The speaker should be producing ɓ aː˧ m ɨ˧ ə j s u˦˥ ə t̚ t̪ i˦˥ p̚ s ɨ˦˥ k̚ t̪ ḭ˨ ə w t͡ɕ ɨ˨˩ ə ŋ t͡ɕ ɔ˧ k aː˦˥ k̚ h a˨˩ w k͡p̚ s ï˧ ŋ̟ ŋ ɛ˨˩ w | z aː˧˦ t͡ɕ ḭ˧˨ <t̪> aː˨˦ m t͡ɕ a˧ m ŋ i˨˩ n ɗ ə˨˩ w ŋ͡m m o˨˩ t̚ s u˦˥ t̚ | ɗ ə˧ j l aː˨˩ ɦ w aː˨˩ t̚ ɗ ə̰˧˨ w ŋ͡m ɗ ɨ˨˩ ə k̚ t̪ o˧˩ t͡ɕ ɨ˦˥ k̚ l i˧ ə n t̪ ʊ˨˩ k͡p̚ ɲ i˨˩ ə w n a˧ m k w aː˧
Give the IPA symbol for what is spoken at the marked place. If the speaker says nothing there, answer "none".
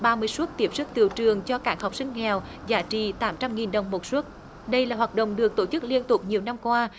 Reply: t̪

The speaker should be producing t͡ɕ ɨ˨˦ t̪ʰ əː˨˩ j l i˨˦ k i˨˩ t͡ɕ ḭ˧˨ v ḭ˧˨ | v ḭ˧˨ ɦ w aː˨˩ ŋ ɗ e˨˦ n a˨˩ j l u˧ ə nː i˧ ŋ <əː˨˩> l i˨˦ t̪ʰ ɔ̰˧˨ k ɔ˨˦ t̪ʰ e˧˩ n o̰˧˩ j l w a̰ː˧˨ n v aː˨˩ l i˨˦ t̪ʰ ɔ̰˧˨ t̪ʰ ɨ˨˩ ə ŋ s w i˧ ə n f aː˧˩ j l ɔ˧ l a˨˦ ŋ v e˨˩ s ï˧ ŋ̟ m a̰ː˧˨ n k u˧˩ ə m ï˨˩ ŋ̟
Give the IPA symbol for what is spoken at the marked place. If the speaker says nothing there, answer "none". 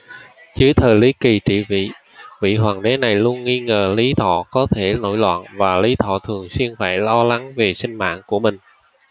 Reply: əː˨˩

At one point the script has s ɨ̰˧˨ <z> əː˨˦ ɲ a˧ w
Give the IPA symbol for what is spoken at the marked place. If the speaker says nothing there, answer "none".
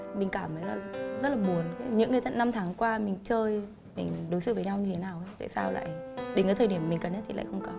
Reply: v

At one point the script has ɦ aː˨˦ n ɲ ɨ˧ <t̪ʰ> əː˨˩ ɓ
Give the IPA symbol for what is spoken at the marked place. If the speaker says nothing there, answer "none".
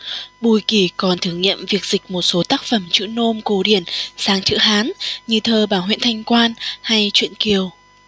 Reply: t̪ʰ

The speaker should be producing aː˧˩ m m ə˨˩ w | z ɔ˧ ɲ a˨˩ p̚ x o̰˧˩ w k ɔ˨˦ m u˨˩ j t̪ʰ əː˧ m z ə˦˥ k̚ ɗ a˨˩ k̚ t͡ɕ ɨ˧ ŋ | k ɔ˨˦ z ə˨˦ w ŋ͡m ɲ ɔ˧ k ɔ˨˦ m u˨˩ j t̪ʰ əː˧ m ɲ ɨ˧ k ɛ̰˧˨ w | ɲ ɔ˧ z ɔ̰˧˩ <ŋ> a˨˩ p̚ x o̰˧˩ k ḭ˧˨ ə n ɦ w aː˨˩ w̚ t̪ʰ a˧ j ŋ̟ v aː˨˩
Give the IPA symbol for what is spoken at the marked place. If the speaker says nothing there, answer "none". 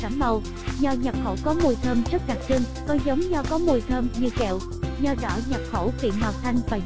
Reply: ɲ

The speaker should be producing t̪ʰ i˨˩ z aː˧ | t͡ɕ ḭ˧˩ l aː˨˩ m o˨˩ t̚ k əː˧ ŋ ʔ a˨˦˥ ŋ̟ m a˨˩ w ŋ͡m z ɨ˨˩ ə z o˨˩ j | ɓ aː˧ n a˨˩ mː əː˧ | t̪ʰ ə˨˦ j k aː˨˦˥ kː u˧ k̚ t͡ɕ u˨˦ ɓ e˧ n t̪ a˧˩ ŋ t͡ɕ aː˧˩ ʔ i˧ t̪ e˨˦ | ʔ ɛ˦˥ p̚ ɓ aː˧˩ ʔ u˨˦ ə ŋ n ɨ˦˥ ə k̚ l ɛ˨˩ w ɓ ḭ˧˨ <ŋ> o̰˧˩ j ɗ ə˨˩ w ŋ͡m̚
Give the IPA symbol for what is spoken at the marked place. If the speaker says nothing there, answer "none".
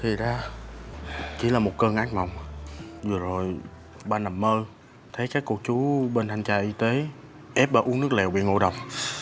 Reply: ŋ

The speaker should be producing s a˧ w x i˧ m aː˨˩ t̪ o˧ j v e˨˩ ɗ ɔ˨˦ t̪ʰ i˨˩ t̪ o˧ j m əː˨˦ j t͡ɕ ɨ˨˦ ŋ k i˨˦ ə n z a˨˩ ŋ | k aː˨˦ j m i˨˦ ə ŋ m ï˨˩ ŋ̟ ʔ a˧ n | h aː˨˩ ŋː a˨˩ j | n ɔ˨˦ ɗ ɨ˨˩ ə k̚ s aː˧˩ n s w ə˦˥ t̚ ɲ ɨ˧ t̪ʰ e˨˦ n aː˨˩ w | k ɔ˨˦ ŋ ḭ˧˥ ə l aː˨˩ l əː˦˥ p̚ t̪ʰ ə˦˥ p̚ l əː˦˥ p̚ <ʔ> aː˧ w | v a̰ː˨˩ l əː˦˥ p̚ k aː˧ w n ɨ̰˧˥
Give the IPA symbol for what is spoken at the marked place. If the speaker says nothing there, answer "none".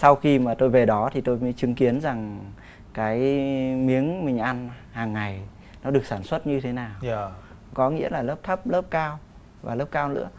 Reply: k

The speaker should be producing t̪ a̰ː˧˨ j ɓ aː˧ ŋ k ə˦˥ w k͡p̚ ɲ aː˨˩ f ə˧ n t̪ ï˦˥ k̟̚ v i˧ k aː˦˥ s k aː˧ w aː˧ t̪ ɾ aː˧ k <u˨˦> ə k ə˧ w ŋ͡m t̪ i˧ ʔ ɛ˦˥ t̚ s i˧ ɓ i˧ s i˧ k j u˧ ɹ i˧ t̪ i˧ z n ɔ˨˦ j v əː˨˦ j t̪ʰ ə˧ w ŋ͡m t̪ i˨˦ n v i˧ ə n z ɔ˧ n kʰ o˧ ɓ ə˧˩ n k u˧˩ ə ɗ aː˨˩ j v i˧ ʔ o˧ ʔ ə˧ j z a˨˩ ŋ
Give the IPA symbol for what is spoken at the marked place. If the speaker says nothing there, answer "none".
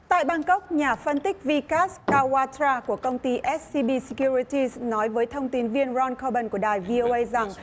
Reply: u˧˩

